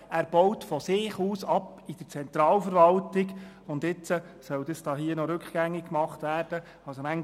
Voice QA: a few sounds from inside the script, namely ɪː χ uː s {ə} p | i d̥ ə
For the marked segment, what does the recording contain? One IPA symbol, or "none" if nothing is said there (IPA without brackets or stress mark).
ɑ